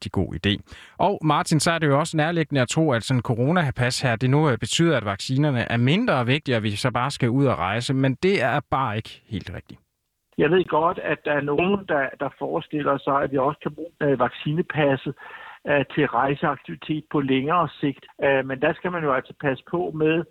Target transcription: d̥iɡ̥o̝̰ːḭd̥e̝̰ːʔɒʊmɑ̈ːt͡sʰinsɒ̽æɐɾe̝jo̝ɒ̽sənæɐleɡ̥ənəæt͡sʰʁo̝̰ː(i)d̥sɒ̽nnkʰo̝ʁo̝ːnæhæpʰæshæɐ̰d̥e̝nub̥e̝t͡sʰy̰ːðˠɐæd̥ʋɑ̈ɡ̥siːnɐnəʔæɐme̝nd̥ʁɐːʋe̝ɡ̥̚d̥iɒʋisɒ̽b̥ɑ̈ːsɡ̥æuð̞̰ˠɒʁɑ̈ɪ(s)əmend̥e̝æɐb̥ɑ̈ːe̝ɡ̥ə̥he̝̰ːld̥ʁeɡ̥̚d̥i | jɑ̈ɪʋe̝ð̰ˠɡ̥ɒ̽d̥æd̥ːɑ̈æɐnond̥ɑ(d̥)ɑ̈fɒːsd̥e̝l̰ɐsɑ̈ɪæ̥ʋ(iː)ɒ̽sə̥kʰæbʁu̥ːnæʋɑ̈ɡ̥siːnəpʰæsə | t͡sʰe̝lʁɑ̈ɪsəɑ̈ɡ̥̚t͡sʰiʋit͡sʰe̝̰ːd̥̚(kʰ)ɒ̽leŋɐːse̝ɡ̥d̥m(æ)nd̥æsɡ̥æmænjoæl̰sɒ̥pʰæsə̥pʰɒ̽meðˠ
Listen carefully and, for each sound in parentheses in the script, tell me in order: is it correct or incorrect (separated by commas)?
incorrect, correct, correct, incorrect, incorrect, incorrect